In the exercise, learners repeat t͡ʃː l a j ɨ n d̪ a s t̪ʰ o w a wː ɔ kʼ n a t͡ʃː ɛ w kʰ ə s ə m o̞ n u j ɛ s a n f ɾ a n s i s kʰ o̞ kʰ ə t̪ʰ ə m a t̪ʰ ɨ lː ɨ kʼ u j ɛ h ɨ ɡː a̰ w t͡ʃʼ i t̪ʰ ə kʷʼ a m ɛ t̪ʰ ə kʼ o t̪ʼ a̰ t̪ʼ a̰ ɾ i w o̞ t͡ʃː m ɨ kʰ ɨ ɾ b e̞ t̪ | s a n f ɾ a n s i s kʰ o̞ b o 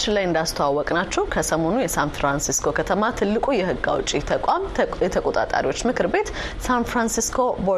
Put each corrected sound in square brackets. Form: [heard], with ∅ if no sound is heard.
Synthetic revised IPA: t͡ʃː l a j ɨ n d̪ a s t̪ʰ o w a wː ɔ kʼ n a t͡ʃː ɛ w kʰ ə s ə m o̞ n u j ɛ s a n f ɾ a n s i s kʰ o̞ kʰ ə t̪ʰ ə m a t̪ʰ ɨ lː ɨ kʼ u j ɛ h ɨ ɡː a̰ w t͡ʃʼ i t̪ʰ ə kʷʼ a m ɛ t̪ʰ ə kʼ o t̪ʼ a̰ t̪ʼ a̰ ɾ i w o̞ t͡ʃː m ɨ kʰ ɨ ɾ b e̞ t̪ | s a n f ɾ a n s i s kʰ o̞ b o